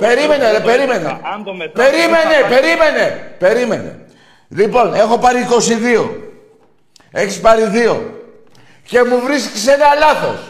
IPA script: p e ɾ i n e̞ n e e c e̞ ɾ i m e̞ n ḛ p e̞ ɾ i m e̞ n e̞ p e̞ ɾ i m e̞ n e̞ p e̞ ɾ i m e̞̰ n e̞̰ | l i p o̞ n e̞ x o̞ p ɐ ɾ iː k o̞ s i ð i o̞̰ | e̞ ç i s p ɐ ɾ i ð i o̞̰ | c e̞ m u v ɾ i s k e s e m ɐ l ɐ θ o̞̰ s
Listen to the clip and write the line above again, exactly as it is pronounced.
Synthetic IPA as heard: p e ɾ i m e̞ n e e p e̞ ɾ i m e̞ n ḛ p e̞ ɾ i m e̞ n e̞ p e̞ ɾ i m e̞ n e̞ p e̞ ɾ i m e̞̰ n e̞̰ | l i p o̞ n e̞ x o̞ p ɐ ɾ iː k o̞ s i ð i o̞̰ | e̞ ç i s p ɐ ɾ i ð i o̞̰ | c e̞ m u v ɾ i s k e s e n ɐ l ɐ θ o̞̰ s